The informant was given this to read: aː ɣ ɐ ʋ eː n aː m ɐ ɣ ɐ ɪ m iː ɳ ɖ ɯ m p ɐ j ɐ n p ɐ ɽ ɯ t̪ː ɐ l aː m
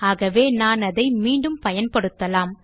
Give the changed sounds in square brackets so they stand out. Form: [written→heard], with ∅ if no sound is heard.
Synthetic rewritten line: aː ɣ ɐ ʋ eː n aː [m→n] ɐ [ɣ→ð] ɐ ɪ m iː ɳ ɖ ɯ m p ɐ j ɐ n p ɐ ɽ ɯ t̪ː ɐ l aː m